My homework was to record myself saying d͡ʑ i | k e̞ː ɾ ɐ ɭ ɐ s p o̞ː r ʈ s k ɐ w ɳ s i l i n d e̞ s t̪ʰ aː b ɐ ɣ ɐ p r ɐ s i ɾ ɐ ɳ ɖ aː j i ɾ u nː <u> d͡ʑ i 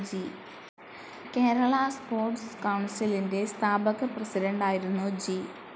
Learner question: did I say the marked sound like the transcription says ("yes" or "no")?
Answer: yes